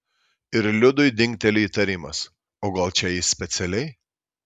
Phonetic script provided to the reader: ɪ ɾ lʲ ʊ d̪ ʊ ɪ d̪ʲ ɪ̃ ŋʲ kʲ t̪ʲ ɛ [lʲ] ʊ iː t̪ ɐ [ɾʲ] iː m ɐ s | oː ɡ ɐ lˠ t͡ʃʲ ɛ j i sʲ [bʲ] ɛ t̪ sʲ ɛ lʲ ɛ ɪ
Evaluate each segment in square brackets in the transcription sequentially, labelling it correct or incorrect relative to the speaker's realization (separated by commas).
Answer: correct, correct, incorrect